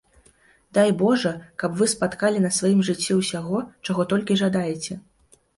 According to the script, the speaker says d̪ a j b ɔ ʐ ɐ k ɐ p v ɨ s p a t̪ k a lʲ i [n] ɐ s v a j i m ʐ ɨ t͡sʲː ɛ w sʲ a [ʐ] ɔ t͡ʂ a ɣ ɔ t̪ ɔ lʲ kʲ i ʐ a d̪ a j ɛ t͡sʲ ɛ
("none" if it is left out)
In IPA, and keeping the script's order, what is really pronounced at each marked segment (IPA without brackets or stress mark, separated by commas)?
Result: n, ɣ